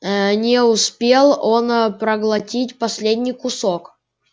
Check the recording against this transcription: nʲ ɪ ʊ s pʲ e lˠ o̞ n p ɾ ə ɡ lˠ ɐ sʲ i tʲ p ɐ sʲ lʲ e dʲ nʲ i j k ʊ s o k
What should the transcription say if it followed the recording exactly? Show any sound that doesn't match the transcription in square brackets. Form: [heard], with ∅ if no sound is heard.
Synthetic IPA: nʲ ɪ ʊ s pʲ e lˠ o̞ n p ɾ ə ɡ lˠ ɐ [tʲ] i tʲ p ɐ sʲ lʲ e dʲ nʲ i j k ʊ s o k